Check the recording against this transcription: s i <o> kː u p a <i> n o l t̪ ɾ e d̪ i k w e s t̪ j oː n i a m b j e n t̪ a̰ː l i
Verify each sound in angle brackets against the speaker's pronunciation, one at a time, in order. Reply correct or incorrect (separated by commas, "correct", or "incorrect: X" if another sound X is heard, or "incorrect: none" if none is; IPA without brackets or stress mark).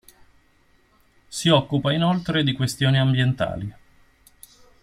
incorrect: ɔ, correct